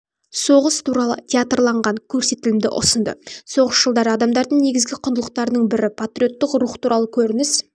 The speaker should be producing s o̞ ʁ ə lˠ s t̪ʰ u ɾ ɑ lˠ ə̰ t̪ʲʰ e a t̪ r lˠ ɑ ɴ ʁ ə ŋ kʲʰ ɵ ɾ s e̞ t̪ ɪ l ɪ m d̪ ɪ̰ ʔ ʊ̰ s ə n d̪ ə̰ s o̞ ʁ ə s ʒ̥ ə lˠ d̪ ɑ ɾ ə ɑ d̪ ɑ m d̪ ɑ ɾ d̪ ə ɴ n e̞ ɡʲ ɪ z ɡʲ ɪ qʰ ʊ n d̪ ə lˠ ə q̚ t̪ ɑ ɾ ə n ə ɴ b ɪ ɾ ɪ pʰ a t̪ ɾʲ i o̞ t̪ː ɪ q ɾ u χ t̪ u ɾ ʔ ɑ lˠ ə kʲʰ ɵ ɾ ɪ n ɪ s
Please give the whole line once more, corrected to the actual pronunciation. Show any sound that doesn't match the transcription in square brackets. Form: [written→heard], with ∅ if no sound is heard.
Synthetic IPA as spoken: s o̞ ʁ ə [lˠ→∅] s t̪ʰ u ɾ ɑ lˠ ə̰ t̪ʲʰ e a t̪ r lˠ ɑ ɴ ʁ [ə→ɑ] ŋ kʲʰ ɵ ɾ s e̞ t̪ ɪ l ɪ m d̪ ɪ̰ ʔ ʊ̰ s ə n d̪ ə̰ s o̞ ʁ ə s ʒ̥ ə lˠ d̪ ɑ ɾ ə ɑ d̪ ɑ m d̪ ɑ ɾ d̪ ə ɴ n e̞ ɡʲ ɪ z ɡʲ ɪ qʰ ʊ n d̪ ə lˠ ə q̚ t̪ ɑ ɾ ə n ə ɴ b ɪ ɾ ɪ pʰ a t̪ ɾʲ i o̞ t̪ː ɪ q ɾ u χ t̪ u ɾ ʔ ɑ lˠ ə kʲʰ ɵ ɾ ɪ n ɪ s